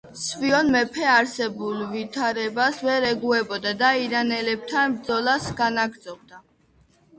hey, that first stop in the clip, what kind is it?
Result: aspirated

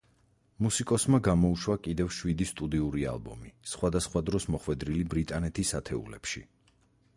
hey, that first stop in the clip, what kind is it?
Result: ejective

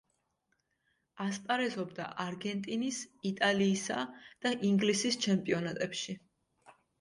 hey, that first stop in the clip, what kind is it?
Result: ejective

